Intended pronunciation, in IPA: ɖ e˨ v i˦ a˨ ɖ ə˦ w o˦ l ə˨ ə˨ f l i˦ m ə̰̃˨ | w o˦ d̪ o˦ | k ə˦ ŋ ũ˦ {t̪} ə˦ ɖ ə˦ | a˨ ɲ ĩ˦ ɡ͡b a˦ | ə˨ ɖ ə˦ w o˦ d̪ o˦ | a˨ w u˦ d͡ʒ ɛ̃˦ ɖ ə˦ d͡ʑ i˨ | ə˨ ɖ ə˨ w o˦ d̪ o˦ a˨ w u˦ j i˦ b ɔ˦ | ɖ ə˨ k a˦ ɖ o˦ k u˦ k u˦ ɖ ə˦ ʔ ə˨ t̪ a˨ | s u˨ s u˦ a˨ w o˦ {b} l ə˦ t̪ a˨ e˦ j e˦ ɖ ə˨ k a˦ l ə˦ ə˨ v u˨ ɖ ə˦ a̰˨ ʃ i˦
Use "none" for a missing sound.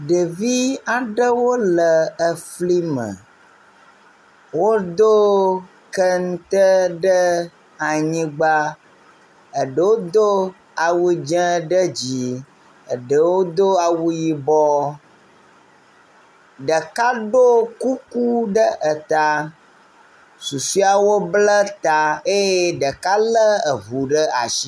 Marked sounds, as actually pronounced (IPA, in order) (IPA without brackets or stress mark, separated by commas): t̪, b